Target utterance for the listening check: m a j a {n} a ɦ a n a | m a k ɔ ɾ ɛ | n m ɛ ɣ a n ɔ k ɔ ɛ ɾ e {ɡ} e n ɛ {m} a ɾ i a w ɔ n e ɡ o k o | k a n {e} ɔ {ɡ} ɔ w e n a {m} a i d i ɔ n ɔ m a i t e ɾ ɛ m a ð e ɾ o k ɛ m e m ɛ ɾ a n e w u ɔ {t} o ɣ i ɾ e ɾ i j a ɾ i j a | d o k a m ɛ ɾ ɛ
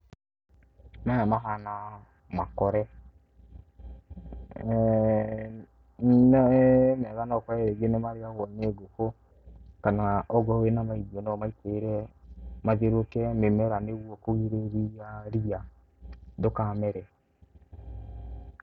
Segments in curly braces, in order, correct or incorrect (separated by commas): incorrect, correct, correct, incorrect, correct, correct, incorrect